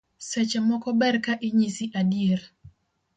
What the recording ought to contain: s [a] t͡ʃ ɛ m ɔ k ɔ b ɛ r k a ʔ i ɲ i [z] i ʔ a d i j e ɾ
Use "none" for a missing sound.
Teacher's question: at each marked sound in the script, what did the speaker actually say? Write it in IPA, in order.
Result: ɛ, s

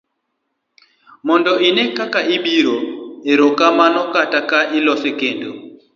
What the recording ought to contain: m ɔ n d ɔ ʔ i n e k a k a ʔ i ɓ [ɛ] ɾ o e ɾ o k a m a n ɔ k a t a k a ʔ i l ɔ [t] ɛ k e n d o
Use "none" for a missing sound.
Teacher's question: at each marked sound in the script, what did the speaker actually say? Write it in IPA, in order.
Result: i, s

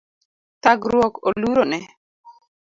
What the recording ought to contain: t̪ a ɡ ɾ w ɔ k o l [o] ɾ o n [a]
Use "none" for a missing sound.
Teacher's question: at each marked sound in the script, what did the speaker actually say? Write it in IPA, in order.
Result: u, ɛ

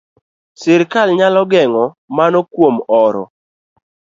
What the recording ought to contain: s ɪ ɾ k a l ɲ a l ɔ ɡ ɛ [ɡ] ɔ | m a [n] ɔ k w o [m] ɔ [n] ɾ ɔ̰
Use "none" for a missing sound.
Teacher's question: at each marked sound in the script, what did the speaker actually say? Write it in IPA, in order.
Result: ŋ, n, m, none

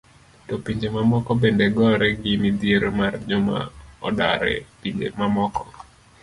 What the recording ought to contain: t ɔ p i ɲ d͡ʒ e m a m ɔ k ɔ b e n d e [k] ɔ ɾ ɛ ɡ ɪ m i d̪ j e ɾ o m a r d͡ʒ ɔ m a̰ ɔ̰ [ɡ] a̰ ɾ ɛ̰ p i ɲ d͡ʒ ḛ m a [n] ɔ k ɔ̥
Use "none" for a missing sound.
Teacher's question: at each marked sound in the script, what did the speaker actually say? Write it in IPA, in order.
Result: ɡ, d, m

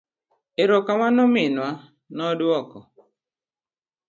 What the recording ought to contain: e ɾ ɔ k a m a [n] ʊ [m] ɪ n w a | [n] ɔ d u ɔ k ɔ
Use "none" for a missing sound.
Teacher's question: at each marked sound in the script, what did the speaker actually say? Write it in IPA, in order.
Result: n, m, n

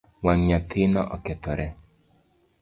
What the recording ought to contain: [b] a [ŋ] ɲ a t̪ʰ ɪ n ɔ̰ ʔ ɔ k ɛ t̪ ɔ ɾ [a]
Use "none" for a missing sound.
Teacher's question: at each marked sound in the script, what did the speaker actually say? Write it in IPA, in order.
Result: w, ŋ, ɛ

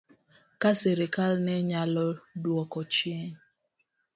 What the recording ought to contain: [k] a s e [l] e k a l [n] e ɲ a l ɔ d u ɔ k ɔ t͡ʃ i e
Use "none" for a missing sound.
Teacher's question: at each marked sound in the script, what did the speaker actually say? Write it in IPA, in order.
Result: k, ɾ, n

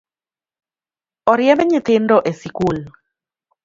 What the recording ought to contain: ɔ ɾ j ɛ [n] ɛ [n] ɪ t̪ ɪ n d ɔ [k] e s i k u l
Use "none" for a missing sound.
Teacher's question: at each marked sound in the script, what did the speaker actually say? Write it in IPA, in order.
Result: m, ɲ, ʔ

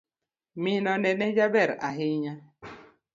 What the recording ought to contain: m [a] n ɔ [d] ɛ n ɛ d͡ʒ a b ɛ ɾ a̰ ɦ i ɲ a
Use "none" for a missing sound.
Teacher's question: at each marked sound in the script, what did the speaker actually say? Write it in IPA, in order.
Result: i, n

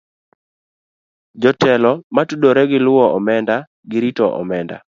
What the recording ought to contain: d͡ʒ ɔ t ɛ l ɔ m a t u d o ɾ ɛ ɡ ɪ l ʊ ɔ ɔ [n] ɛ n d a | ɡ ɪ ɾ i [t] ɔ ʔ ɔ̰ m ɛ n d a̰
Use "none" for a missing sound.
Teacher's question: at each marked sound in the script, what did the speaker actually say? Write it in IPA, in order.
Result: m, t

